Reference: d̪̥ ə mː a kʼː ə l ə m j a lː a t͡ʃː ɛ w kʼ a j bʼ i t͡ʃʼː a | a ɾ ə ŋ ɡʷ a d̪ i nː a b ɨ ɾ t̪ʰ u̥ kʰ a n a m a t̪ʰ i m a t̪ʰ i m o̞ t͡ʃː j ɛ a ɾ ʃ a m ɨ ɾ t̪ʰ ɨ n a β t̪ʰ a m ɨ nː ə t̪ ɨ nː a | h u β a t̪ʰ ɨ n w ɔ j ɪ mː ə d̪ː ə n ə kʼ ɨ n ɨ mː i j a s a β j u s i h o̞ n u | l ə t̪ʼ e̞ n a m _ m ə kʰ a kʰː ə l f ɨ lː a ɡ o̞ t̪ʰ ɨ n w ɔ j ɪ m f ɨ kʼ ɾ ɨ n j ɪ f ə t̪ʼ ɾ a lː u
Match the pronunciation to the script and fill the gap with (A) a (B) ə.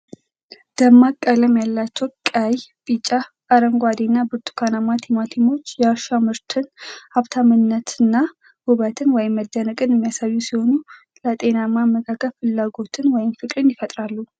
A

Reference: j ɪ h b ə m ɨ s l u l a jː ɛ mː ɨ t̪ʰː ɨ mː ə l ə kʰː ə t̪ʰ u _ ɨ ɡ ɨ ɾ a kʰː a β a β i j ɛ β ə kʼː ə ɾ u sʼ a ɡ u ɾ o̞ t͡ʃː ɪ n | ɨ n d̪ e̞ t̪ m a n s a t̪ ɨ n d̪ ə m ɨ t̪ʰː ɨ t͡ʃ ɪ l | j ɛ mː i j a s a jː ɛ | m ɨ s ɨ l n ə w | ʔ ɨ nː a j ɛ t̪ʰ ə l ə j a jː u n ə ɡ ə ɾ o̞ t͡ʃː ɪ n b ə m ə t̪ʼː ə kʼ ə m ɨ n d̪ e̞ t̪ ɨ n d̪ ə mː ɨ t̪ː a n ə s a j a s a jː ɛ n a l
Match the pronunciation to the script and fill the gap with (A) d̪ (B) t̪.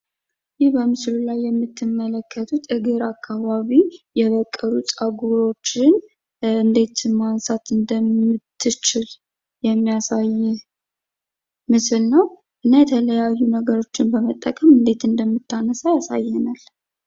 B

